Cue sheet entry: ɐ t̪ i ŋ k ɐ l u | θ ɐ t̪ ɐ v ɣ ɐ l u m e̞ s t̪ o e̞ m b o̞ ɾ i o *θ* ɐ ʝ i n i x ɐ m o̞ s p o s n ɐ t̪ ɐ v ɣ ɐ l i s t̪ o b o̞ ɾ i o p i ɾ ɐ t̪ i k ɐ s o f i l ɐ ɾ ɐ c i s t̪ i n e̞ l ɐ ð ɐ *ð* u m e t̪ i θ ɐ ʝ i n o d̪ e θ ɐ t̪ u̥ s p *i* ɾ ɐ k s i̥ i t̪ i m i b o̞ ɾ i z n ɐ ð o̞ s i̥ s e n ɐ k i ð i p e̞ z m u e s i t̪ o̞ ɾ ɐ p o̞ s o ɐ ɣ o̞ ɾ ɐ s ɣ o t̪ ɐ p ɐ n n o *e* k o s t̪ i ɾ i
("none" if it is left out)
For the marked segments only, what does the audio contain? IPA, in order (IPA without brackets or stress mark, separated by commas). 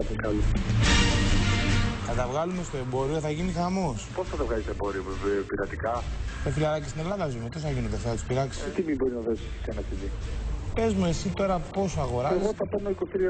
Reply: θ, z, i, i